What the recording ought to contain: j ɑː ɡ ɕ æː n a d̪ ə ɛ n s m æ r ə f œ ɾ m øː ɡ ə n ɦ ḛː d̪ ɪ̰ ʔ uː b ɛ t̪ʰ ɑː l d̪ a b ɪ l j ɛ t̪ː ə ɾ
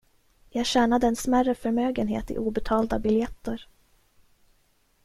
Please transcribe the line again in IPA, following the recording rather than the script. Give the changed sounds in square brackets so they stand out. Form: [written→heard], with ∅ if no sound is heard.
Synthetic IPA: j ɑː ɡ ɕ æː n a d̪ ə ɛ n s m æ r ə f œ ɾ m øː ɡ ə n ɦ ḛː [d̪→t̪] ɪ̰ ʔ uː b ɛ t̪ʰ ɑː l d̪ a b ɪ l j ɛ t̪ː ə ɾ